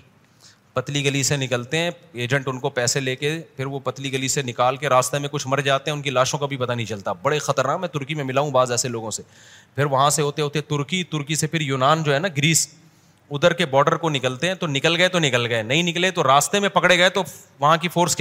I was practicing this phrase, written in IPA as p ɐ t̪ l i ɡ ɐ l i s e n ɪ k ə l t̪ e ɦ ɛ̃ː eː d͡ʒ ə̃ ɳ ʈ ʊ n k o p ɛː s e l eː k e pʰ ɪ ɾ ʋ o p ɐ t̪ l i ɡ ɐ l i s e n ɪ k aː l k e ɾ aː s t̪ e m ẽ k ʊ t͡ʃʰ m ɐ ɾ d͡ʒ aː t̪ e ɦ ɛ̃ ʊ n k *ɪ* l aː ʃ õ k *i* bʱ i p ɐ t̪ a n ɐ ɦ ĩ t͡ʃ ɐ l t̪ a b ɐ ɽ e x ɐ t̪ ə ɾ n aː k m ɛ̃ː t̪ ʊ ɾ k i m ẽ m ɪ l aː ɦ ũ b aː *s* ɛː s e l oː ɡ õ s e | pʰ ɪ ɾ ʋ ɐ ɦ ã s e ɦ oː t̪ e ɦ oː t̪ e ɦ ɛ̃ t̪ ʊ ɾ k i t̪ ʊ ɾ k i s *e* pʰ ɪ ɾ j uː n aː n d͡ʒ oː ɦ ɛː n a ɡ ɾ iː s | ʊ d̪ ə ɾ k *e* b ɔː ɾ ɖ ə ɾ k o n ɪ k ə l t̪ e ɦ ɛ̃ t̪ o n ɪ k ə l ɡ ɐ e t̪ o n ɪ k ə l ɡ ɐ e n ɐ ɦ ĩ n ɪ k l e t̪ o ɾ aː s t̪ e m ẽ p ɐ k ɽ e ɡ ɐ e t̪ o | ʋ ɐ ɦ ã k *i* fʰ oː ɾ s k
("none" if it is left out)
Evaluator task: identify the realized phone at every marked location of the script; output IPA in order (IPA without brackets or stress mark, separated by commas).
i, a, z, e, e, i